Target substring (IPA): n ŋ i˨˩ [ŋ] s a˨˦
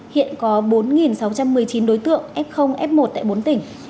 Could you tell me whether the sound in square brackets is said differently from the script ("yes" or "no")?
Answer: yes